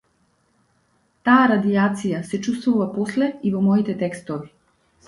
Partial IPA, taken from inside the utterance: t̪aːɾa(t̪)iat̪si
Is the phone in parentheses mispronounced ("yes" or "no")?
yes